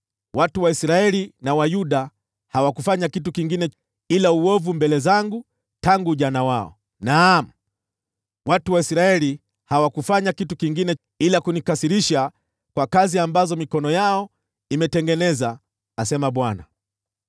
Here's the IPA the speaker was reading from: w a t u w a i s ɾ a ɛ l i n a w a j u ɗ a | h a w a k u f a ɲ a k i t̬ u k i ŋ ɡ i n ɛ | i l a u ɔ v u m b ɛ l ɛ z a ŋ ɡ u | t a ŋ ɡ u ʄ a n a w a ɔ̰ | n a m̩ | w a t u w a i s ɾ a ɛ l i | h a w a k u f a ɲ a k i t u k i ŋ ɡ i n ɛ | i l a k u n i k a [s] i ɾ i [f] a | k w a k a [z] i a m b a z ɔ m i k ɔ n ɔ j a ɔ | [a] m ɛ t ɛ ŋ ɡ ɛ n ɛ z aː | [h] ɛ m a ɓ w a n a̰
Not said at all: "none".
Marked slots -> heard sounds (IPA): s, ʃ, z, i, s

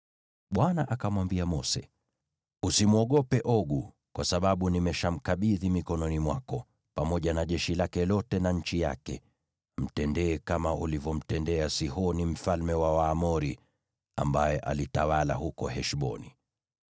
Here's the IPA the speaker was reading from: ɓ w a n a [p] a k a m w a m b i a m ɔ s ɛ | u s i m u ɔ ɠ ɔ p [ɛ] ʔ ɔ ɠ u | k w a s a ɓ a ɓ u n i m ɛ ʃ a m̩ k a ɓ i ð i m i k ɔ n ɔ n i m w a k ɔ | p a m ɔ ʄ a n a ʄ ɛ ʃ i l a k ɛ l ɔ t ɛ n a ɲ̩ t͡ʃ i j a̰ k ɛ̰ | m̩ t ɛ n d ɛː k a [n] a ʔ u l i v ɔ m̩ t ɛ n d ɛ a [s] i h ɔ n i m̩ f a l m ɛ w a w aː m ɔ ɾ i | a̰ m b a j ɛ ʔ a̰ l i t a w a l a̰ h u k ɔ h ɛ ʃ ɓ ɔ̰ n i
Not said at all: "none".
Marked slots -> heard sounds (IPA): ʔ, ɛ, m, s

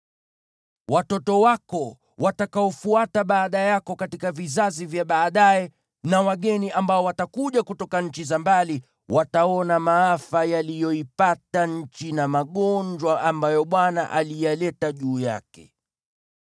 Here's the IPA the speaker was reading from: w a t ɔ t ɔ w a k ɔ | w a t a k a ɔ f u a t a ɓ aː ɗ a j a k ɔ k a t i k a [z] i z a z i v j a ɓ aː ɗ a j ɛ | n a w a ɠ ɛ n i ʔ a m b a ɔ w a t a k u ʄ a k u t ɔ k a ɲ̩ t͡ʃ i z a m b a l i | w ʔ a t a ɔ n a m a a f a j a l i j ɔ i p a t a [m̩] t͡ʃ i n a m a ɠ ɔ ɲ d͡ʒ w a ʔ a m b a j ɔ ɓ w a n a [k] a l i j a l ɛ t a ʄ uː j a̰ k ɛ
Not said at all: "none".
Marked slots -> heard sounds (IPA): v, ɲ̩, ʔ

